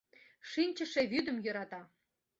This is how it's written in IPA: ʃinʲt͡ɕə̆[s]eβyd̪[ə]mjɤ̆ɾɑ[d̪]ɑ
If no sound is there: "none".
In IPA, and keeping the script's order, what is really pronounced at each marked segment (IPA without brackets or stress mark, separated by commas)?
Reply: ʃ, ə, t̪